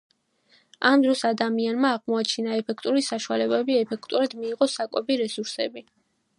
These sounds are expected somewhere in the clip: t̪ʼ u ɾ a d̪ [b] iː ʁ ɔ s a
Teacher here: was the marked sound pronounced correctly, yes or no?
no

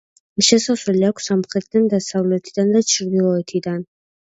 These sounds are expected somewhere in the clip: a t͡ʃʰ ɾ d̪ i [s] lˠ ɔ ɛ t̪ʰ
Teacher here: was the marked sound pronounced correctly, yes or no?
no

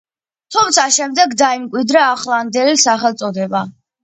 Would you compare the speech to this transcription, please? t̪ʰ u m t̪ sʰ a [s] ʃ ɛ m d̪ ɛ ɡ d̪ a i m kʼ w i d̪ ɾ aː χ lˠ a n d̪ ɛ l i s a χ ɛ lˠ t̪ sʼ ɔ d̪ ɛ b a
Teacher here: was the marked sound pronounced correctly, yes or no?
no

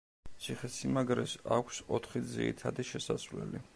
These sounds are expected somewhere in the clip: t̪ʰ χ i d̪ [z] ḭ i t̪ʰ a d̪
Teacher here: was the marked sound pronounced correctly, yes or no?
yes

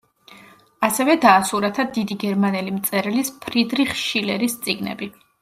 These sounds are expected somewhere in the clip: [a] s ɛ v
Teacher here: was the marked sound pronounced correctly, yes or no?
yes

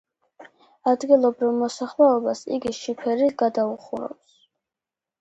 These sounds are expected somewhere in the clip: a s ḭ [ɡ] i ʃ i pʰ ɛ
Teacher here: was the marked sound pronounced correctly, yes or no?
yes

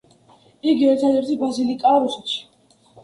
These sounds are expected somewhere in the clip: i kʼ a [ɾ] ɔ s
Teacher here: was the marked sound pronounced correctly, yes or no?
yes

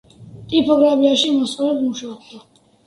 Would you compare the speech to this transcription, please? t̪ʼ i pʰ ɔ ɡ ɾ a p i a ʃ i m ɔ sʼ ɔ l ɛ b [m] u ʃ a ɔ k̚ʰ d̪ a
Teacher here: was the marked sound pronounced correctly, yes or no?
yes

